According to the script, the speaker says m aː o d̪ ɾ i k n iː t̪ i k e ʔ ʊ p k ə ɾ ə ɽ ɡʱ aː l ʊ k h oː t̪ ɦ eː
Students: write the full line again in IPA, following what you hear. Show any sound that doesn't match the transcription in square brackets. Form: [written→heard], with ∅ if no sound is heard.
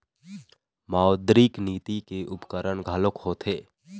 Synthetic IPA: m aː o d̪ ɾ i k n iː t̪ i k e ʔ ʊ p k ə ɾ ə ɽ ɡʱ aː l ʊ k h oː t̪ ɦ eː